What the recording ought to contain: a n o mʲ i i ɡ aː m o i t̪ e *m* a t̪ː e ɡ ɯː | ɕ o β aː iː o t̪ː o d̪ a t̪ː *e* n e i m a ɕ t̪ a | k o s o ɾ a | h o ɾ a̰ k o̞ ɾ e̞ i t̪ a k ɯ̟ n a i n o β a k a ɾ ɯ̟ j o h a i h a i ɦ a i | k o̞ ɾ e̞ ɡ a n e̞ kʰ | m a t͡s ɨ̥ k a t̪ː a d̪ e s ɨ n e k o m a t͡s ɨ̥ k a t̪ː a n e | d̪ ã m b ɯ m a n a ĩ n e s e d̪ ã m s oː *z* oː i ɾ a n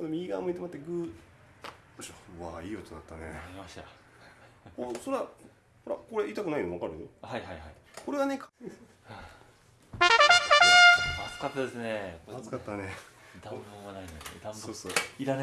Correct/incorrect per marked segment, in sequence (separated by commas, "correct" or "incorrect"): correct, incorrect, incorrect